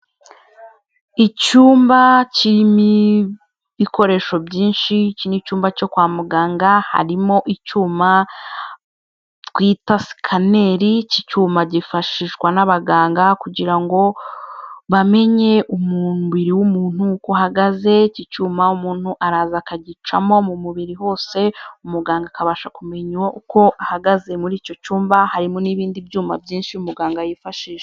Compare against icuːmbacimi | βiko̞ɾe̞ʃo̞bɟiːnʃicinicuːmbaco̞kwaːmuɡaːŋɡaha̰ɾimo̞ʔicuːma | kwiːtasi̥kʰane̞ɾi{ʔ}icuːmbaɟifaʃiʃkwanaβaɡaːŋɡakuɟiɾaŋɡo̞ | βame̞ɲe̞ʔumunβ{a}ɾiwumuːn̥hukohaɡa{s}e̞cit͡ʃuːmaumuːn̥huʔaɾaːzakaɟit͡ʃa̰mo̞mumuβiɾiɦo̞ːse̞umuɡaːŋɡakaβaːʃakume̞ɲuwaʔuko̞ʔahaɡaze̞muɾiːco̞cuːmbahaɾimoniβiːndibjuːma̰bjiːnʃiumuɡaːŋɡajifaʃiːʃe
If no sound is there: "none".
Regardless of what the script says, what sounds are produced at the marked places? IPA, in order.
c, i, z

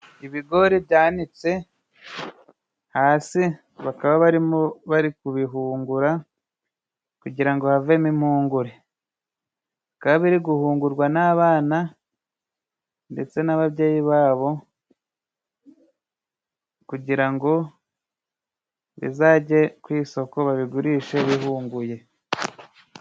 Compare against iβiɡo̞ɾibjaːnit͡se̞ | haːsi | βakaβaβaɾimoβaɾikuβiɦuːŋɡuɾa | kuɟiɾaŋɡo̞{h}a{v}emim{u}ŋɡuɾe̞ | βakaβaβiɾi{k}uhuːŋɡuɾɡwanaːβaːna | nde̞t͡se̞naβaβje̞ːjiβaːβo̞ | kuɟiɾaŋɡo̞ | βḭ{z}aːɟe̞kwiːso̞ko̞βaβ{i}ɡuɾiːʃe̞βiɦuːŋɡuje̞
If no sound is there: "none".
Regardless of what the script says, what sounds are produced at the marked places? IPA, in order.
h, v, uː, ɡ, z, i

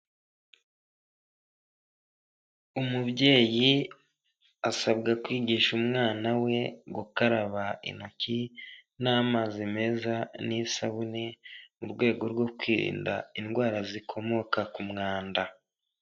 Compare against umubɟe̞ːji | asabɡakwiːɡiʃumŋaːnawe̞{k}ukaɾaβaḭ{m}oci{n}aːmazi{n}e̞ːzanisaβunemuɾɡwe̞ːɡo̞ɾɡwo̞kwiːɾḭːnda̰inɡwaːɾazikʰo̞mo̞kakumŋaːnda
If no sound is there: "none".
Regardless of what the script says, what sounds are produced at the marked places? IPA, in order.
ɡ, n, n, m

